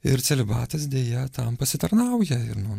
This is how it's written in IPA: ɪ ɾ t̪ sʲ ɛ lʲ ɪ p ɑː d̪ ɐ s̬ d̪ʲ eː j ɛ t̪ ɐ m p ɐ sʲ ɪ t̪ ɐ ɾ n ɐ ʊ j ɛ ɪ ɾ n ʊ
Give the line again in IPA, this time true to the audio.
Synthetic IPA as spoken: ɪ ɾ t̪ sʲ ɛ lʲ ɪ b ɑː t̪ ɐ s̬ d̪ʲ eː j ɛ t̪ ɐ m p ɐ sʲ ɪ t̪ ɐ ɾ n ɐ ʊ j ɛ ɪ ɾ n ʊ